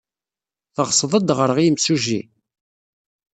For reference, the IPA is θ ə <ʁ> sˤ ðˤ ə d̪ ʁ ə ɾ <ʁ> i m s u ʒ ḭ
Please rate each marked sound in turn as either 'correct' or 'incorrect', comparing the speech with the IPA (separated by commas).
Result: correct, correct